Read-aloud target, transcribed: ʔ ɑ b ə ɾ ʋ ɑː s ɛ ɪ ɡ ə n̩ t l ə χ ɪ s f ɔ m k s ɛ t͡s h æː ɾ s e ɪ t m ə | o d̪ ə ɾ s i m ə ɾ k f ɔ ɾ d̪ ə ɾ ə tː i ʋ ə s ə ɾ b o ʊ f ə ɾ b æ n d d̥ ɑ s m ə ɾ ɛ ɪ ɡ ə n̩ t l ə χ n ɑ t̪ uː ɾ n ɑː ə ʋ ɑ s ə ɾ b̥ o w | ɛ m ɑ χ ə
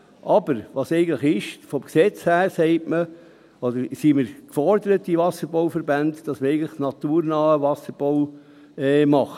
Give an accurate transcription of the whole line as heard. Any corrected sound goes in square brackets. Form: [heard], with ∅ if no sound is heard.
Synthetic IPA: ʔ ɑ b ə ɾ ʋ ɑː s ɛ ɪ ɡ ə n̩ t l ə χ ɪ [ʃ] f ɔ m k s ɛ t͡s h æː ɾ s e ɪ t m ə | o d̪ ə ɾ s i m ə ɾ k f ɔ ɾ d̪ ə ɾ ə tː i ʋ [ɑ] s ə ɾ b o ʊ f ə ɾ b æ n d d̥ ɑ s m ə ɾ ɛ ɪ ɡ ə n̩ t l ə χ n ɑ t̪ uː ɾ n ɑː ə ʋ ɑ s ə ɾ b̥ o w | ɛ m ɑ χ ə